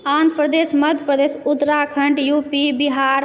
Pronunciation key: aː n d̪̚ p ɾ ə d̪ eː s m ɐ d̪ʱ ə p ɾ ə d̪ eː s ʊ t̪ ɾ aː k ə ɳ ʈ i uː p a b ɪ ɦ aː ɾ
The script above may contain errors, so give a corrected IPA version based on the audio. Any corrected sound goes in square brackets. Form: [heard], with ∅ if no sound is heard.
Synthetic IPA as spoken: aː n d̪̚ p ɾ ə d̪ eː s m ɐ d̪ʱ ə p ɾ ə d̪ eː s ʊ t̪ ɾ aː [kʰ] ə ɳ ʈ [j] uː p [i] b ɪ ɦ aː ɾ